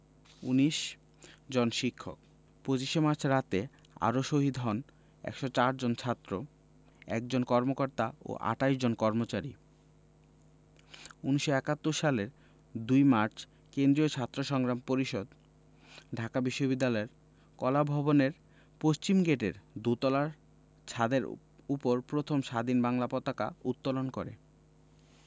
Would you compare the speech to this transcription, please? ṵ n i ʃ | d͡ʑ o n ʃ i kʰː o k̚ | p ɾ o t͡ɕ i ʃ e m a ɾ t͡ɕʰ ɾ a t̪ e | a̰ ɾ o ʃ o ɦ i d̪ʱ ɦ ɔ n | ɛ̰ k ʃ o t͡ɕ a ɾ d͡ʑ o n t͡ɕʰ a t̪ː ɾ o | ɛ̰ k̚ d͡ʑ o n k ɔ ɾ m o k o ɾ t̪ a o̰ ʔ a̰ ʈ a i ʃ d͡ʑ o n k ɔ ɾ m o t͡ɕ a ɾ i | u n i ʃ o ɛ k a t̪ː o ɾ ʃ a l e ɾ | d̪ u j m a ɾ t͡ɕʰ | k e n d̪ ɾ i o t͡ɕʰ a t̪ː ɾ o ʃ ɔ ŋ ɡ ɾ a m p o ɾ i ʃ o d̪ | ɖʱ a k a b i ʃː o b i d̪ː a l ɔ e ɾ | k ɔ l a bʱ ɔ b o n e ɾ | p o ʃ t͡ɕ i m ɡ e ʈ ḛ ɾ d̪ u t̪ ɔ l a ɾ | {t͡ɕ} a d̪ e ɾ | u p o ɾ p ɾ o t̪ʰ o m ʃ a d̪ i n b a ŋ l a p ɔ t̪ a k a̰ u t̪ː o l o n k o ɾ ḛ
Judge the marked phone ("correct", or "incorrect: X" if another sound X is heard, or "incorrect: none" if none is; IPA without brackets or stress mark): incorrect: t͡ɕʰ